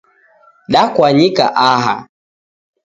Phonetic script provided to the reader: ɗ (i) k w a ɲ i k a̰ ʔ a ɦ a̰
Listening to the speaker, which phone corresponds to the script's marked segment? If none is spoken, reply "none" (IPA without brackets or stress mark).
a